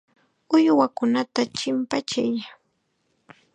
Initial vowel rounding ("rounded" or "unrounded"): rounded